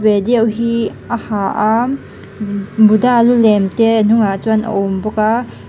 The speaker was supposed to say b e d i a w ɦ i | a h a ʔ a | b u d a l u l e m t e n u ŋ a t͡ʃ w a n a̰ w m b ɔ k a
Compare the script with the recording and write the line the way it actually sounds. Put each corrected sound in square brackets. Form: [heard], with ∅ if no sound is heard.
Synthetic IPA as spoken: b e d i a w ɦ i | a h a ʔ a | b u d a l u l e m t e n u ŋ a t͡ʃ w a n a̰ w m b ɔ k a